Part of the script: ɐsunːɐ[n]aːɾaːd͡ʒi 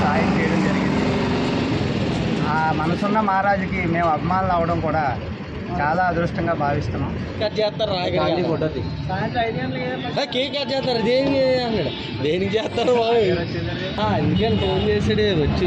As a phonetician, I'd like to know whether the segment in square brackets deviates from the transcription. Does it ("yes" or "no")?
yes